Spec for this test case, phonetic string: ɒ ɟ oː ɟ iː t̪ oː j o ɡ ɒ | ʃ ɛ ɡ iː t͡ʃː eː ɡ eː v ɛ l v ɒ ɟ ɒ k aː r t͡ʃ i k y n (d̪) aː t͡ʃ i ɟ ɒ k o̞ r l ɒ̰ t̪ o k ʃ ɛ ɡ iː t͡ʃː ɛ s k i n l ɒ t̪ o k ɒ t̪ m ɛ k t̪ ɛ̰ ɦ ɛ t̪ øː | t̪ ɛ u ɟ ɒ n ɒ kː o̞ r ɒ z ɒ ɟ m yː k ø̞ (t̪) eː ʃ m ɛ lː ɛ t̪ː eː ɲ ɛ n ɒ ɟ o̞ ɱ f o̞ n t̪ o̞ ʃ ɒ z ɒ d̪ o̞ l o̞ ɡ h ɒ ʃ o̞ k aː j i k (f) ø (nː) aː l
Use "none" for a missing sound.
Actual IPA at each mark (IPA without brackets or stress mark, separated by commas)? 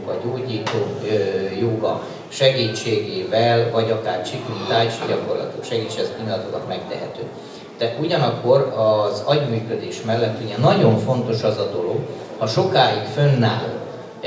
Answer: t̪, d̪, f, nː